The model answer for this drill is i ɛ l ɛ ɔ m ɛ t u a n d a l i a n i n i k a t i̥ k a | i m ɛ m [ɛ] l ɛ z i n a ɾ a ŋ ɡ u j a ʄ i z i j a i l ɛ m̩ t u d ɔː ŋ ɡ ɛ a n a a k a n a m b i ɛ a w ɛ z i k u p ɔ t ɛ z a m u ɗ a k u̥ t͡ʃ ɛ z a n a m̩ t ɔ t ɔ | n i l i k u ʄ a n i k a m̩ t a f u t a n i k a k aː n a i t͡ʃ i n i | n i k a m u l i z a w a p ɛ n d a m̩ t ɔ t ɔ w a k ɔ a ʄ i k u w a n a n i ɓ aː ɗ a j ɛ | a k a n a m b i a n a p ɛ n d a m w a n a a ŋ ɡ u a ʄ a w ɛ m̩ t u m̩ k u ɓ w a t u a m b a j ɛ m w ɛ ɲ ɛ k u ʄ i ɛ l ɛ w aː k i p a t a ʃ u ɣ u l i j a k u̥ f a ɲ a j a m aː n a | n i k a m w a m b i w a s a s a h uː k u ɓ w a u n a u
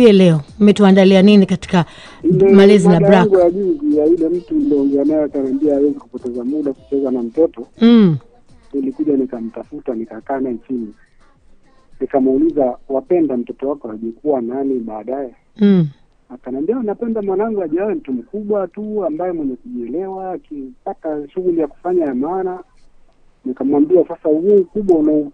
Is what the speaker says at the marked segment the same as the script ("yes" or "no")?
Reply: no